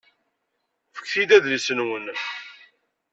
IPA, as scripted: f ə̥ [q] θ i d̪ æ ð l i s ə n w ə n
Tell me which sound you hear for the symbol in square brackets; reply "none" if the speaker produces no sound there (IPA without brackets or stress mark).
k